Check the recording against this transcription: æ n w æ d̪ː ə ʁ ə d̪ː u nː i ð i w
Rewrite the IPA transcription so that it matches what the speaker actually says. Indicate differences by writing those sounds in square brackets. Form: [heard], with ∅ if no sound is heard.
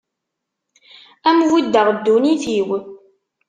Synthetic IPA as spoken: æ [m] w [i] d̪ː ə ʁ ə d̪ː u [n] i [θ] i w

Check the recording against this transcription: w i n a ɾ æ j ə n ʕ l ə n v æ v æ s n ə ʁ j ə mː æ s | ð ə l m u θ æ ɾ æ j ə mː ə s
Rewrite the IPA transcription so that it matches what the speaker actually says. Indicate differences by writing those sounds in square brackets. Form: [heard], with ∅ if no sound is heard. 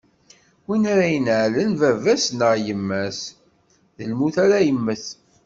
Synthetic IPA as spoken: w i n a ɾ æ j ə n ʕ l ə n v æ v æ s n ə ʁ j ə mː æ s | ð ə l m u θ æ ɾ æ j ə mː ə [θ]

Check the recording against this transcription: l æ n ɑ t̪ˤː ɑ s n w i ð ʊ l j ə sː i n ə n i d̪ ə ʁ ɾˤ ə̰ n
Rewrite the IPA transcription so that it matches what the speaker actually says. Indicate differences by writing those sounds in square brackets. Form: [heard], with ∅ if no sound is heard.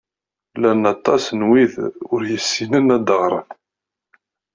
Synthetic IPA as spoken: l æ n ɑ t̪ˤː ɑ s n w i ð ʊ [ɾ] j ə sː i n ə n [æ] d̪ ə ʁ ɾˤ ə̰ n

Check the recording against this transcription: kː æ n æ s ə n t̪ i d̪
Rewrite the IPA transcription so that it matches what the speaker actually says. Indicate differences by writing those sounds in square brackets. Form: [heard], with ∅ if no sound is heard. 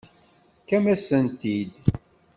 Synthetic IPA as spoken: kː æ [m] æ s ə n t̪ i d̪

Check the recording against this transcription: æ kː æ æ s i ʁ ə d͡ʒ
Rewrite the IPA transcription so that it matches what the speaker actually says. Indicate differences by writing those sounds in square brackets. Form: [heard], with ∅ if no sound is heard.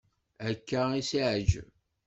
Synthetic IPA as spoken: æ kː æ [i] s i [ʕ] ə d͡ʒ

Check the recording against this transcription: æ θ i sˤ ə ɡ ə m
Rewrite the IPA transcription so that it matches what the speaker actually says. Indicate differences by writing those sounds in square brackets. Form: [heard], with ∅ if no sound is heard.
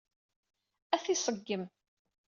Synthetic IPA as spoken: æ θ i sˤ ə [ɡː] ə m

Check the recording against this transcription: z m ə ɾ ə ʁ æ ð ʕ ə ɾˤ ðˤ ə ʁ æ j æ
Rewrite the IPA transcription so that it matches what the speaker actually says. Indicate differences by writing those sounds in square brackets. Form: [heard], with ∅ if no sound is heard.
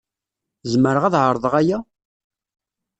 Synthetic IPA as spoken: z m ə ɾ ə ʁ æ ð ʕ ə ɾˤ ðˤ ə ʁ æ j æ

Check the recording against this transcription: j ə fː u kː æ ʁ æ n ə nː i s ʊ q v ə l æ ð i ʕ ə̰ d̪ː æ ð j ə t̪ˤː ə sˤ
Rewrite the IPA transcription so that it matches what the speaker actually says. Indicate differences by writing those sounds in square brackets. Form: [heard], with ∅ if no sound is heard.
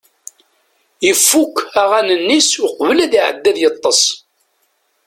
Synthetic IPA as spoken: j ə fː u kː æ ʁ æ n ə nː i s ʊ q v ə l æ ð i ʕ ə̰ d̪ː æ ð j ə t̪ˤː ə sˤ

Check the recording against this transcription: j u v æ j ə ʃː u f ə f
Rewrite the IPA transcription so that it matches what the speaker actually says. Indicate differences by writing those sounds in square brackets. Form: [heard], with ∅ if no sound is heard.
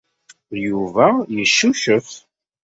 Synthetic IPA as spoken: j u v æ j ə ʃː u [ʃ] ə f

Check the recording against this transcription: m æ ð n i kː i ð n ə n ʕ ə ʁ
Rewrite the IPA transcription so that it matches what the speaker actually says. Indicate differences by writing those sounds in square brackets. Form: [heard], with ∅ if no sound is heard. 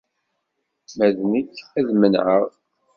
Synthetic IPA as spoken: m æ ð n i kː [æ] ð [m] ə n ʕ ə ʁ

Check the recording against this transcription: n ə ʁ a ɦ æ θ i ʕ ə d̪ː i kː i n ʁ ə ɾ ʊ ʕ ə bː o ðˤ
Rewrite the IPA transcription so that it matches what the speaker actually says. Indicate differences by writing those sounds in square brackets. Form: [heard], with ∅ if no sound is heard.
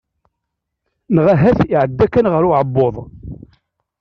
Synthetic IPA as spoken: n ə ʁ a ɦ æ θ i ʕ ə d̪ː [æ] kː [æ] n ʁ ə ɾ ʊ ʕ ə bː o ðˤ

